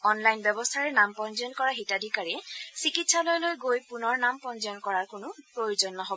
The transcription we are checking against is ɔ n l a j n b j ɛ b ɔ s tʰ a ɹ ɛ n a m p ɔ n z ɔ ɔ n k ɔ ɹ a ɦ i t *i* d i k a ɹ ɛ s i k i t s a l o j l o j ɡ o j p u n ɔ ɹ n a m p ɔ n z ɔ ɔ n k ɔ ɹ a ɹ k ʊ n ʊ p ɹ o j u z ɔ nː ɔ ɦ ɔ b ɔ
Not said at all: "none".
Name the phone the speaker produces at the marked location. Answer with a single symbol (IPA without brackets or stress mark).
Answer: a